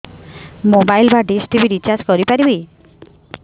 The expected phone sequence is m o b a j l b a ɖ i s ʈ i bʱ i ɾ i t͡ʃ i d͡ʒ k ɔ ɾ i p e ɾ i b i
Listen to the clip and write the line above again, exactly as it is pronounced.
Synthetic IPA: m o b a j l b a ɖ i s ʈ i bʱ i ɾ i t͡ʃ a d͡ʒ k ɔ ɾ i p a ɾ i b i